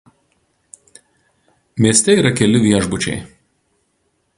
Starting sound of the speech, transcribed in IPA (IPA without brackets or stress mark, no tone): mʲ